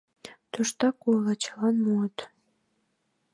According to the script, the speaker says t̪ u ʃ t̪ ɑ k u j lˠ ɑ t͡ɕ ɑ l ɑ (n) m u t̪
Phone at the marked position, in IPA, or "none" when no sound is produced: n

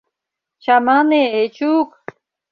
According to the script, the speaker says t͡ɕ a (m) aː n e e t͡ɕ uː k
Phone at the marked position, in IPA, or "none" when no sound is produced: m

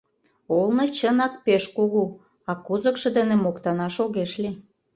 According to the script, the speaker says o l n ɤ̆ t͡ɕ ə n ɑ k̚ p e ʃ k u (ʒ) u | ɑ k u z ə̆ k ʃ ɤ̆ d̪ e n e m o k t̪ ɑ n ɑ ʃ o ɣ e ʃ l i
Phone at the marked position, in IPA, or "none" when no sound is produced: ɣ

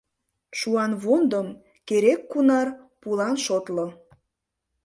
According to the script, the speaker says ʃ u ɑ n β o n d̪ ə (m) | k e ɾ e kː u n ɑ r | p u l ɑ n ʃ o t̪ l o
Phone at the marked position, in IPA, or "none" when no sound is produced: m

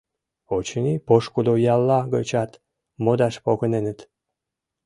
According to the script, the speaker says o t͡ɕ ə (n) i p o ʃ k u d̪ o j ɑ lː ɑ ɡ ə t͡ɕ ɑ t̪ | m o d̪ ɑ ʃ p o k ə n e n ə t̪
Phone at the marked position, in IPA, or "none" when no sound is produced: n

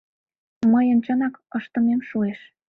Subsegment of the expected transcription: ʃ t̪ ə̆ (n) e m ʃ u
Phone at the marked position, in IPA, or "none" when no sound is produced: m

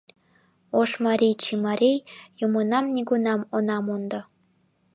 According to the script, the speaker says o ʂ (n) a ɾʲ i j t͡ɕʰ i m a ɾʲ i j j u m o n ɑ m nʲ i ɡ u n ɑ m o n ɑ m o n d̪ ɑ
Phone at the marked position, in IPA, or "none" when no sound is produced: m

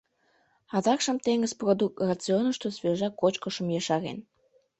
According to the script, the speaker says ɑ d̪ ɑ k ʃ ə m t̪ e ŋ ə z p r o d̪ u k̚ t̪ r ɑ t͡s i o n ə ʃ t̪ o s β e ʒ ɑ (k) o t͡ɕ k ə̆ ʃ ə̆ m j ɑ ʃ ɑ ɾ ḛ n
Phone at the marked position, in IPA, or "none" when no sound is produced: k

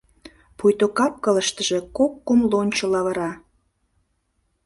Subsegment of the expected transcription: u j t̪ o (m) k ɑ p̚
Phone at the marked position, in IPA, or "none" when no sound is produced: none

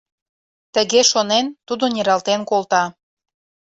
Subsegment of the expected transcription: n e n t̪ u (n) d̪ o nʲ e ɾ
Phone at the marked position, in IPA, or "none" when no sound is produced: none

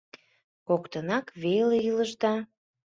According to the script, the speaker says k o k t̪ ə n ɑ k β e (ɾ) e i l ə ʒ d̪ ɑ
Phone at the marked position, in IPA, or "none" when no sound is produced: l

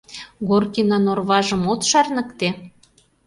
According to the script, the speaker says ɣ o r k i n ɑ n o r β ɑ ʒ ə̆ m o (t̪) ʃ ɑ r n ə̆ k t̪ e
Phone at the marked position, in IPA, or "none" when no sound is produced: t̪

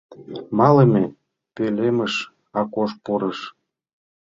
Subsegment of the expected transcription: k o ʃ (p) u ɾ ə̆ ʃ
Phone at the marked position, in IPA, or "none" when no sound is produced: p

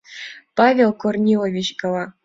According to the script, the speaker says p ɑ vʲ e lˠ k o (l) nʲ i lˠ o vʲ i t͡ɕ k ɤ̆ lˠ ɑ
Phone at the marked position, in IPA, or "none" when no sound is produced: r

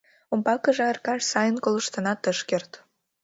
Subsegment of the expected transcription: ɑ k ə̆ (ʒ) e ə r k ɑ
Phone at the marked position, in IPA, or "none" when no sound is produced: ʒ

